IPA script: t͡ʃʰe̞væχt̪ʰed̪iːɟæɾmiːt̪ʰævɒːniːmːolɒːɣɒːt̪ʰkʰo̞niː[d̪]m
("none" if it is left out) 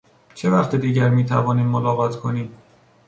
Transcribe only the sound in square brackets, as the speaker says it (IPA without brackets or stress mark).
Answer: none